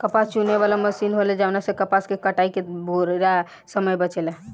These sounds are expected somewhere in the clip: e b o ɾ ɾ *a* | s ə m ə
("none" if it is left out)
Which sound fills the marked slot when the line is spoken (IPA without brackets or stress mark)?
a